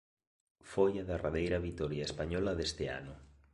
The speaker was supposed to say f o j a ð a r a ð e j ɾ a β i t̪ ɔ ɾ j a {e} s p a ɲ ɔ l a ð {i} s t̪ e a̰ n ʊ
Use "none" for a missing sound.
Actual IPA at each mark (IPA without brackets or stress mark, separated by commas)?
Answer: e, e